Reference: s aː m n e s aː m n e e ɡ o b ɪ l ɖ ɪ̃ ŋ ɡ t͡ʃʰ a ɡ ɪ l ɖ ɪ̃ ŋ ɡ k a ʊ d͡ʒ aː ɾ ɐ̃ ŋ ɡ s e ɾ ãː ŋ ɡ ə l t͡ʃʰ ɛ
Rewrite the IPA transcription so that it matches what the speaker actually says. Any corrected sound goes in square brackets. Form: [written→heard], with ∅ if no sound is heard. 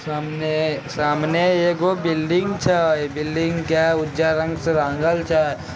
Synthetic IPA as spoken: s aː m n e s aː m n e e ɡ o b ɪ l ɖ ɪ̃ ŋ ɡ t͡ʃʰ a [ɡ→b] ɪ l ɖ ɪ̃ ŋ ɡ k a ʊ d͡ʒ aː ɾ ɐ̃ ŋ ɡ s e ɾ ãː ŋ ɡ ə l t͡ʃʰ [ɛ→a]